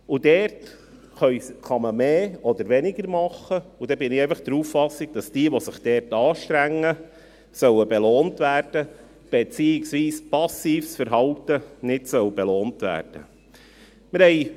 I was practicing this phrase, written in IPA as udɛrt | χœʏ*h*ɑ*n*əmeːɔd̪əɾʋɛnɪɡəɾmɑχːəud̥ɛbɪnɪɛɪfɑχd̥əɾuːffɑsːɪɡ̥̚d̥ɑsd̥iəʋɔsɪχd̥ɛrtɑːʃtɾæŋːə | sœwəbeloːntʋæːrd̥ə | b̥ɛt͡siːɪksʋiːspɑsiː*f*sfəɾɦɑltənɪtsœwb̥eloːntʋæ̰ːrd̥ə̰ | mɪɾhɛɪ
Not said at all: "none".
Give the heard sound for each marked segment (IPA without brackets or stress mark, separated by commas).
χ, m, f